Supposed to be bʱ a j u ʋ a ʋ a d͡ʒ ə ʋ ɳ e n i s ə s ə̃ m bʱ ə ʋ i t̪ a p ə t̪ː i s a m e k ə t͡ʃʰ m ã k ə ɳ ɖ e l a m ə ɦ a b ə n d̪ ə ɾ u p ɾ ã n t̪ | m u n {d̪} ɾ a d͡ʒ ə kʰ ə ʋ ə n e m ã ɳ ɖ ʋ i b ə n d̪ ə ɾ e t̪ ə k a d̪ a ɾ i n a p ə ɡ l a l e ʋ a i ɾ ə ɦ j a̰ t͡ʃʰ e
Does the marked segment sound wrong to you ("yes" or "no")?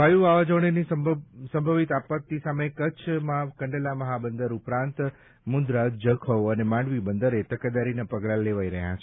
no